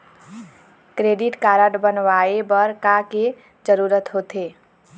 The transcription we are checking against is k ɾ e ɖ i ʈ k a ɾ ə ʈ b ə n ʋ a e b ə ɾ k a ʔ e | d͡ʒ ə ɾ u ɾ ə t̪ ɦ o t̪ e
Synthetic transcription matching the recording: k ɾ e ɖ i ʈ k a ɾ ə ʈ b ə n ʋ a e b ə ɾ k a k e | d͡ʒ ə ɾ u ɾ ə t̪ ɦ o t̪ e